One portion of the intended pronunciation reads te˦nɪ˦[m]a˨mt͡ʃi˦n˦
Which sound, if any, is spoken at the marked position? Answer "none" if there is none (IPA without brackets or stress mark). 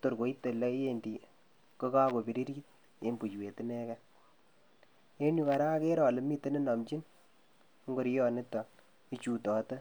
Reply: n